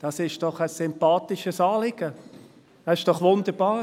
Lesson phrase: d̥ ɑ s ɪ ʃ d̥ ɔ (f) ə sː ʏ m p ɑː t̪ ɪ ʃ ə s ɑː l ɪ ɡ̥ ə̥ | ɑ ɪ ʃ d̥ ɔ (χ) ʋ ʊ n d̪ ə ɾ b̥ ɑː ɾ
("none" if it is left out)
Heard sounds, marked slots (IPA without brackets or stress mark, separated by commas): χ, χ